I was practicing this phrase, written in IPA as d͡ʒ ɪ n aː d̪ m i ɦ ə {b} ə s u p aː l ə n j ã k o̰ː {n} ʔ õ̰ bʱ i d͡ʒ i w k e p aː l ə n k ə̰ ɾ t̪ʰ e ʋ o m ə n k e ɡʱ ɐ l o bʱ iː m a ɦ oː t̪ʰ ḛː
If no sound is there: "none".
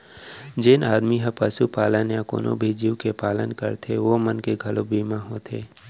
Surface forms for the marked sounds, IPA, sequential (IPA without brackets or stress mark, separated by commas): p, n